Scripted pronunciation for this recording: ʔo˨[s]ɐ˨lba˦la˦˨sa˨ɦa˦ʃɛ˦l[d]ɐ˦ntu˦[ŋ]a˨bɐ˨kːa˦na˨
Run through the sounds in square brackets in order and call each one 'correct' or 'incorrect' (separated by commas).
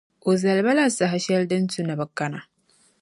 incorrect, correct, incorrect